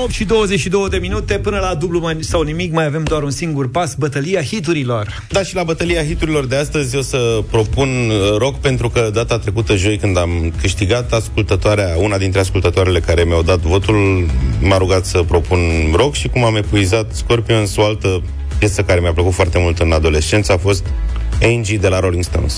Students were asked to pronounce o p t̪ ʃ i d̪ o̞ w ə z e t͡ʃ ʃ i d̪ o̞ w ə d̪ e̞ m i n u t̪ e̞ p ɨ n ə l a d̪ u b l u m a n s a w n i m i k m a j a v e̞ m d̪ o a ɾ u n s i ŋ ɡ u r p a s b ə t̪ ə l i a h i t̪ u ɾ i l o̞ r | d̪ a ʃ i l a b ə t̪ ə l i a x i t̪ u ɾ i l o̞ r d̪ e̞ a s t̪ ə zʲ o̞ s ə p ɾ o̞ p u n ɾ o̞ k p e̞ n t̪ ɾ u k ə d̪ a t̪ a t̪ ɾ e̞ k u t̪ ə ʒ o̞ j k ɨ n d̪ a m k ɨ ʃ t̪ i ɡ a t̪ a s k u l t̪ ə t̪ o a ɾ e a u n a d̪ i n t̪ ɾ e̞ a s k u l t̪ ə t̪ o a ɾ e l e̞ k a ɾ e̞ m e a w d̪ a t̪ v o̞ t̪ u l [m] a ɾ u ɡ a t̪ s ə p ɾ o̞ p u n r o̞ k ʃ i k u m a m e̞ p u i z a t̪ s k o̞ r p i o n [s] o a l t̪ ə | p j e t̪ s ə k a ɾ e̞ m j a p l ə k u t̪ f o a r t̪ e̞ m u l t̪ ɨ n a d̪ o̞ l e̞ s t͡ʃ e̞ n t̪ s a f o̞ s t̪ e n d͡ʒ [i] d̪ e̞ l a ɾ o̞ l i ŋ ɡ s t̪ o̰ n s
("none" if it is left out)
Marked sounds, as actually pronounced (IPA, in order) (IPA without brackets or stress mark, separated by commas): m, s, i